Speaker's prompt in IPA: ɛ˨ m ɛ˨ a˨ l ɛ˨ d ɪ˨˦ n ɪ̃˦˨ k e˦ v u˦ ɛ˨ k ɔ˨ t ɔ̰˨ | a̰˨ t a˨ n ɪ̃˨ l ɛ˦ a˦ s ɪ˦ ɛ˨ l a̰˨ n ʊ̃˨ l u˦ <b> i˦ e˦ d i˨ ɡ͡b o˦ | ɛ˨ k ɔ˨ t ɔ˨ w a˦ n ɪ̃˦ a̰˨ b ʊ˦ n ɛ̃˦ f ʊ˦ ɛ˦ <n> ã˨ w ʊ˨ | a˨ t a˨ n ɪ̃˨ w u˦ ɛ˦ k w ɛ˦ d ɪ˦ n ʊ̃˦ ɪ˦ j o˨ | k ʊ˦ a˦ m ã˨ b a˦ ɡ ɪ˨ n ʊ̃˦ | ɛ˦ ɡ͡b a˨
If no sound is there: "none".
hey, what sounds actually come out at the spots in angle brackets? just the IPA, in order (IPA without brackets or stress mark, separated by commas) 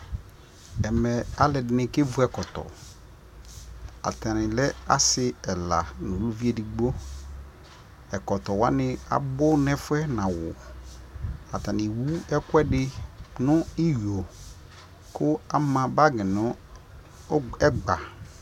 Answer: v, n